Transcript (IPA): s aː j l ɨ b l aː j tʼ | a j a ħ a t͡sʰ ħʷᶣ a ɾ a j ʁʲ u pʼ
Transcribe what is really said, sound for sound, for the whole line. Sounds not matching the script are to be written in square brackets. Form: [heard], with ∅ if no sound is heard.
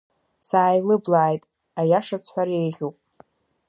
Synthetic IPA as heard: s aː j l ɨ b l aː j tʼ | a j a [ʂ] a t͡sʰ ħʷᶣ a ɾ [e] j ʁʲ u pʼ